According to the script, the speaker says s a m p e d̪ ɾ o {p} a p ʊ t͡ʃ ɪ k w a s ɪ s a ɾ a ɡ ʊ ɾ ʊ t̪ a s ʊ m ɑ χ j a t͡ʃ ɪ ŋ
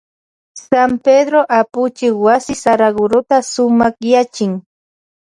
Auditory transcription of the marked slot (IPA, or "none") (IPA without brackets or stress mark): ʔ